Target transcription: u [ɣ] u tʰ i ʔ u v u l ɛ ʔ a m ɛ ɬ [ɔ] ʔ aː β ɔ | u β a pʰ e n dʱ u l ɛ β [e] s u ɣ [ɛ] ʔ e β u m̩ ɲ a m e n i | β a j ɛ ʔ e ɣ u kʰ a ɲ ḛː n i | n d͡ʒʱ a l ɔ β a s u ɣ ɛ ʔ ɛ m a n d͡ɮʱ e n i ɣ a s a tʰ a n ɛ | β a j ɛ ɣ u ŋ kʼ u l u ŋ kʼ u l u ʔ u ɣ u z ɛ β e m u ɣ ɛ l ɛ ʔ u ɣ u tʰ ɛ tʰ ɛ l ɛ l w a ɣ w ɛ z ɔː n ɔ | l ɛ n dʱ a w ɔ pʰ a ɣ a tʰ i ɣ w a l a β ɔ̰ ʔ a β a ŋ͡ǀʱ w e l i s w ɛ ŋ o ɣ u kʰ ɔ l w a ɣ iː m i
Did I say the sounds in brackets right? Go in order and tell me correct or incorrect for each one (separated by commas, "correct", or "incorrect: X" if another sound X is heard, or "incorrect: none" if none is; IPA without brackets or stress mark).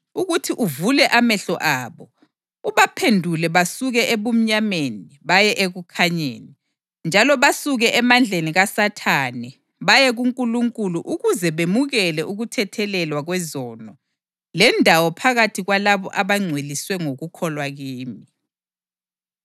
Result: correct, correct, incorrect: a, correct